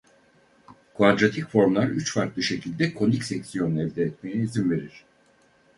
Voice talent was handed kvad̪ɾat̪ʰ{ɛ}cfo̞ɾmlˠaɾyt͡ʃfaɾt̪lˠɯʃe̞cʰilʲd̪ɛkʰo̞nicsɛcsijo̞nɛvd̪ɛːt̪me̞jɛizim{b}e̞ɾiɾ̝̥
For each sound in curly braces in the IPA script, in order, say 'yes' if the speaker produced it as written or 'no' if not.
no, no

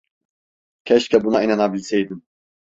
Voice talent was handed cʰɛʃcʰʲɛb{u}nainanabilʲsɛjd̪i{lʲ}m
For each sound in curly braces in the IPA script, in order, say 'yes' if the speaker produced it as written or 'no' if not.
yes, no

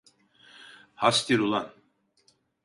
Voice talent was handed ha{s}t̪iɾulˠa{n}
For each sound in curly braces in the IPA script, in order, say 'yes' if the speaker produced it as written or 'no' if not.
yes, yes

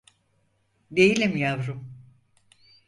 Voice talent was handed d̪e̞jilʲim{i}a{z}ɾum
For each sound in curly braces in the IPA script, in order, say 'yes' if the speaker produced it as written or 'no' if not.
no, no

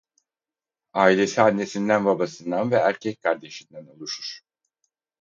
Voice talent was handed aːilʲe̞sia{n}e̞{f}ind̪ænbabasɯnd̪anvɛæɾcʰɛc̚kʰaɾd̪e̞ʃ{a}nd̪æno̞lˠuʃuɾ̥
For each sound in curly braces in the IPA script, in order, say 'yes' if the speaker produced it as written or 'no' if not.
no, no, no

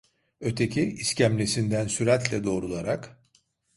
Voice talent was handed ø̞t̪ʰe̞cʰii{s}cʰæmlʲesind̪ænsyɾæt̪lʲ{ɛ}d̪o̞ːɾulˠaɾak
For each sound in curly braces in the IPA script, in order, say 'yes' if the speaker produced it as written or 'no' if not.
yes, yes

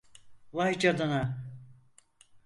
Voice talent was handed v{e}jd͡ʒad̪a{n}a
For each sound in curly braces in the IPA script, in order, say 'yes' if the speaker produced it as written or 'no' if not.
no, yes

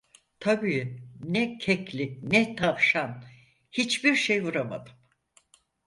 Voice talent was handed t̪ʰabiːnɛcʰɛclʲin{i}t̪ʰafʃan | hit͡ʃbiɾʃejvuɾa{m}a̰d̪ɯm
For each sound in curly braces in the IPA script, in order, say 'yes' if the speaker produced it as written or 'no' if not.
no, yes

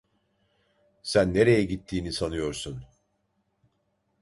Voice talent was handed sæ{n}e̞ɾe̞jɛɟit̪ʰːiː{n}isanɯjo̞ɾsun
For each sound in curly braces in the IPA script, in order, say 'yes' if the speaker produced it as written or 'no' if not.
no, yes

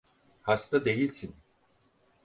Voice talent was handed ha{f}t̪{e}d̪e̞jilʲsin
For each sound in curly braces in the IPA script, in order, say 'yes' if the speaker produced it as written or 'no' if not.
no, no

